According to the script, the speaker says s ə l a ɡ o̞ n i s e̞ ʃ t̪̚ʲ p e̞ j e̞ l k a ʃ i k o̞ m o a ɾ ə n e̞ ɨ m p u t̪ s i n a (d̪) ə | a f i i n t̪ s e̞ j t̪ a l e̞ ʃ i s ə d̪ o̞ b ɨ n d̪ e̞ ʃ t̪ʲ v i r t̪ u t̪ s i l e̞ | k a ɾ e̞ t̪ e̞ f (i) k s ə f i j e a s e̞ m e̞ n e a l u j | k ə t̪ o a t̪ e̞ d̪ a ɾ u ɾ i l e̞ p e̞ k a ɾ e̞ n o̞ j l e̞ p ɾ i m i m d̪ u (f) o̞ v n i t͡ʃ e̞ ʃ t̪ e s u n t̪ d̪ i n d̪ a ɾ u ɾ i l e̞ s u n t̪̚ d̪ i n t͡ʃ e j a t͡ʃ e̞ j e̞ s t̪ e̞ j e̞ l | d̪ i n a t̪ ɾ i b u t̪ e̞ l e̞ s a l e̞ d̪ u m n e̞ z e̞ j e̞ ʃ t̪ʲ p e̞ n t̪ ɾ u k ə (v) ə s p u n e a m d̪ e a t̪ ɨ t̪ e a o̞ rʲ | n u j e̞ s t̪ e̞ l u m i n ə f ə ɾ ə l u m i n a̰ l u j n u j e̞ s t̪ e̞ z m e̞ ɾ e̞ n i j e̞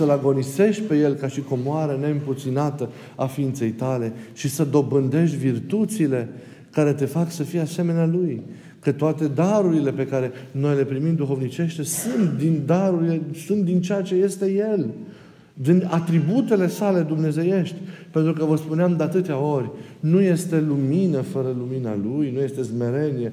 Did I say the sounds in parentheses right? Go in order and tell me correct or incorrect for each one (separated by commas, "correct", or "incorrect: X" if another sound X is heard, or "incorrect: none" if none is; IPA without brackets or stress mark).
incorrect: t̪, incorrect: a, incorrect: x, correct